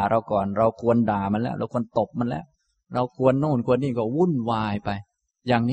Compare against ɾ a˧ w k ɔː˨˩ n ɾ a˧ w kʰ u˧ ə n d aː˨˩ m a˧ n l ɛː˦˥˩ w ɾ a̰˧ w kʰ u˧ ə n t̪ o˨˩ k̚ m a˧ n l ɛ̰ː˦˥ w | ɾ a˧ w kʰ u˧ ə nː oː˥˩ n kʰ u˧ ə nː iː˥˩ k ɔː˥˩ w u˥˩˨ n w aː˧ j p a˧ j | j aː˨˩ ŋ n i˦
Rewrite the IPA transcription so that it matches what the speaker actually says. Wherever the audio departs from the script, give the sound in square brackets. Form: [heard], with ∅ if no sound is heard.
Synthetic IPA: ɾ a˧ w k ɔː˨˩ n ɾ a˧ w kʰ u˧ ə n d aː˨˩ m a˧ n l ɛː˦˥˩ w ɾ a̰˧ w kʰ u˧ ə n t̪ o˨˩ [p̚] m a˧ n l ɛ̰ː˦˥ w | ɾ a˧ w kʰ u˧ ə nː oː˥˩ n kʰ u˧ ə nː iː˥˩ k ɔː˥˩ w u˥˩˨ n w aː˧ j p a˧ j | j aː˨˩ ŋ n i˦